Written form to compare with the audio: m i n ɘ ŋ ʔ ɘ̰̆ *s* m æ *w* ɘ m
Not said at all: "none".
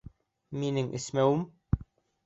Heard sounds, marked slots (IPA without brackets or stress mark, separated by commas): s, w